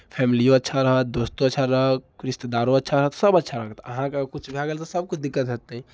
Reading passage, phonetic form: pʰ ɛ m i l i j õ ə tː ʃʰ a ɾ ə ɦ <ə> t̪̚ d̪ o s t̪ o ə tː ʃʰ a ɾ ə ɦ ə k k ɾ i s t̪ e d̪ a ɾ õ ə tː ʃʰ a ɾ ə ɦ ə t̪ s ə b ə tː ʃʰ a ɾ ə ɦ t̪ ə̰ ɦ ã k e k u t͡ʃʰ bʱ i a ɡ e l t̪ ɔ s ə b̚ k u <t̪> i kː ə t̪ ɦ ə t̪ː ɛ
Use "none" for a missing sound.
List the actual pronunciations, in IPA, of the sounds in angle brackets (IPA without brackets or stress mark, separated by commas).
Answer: ə, d̪